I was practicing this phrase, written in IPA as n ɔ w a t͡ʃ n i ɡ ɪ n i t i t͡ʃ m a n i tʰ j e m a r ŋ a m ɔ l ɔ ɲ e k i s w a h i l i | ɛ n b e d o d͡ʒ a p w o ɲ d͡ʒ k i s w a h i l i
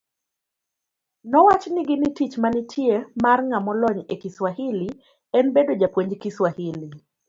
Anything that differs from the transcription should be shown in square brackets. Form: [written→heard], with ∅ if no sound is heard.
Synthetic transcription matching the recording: n ɔ w a t͡ʃ n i ɡ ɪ n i t i t͡ʃ m a n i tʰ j e m a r ŋ a m ɔ l ɔ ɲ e k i s w a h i l i | ɛ n b e d o d͡ʒ a p w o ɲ d͡ʒ k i s w a h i l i